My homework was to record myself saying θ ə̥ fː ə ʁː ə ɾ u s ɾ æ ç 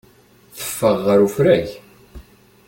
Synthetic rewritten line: θ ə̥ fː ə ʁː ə ɾ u f ɾ æ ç